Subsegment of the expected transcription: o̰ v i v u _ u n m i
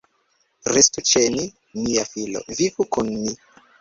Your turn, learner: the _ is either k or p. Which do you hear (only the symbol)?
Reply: k